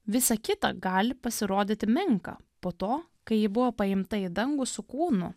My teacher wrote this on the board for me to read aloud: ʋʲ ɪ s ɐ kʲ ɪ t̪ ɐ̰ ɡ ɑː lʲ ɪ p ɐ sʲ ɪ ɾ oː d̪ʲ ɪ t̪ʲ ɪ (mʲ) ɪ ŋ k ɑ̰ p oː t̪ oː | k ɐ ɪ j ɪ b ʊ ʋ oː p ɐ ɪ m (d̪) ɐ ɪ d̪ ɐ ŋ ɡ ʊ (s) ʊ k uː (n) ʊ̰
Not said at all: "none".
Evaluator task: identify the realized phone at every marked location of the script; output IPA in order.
mʲ, t̪, s, n

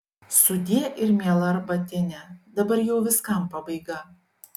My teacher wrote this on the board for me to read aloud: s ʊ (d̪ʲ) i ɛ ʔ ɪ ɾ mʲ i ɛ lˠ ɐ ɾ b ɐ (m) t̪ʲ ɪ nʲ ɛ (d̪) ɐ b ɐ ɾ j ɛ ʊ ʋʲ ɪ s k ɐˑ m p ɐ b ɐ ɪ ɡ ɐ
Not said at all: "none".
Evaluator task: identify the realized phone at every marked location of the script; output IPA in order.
d̪ʲ, none, d̪

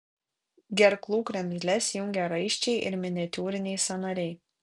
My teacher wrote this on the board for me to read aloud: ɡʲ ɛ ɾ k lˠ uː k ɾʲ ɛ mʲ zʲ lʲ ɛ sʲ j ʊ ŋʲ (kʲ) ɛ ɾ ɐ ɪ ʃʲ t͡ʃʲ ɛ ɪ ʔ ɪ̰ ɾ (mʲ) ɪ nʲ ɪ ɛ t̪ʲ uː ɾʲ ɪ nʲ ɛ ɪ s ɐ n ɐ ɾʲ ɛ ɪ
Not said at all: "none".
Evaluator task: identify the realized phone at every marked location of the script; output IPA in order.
ɡʲ, mʲ

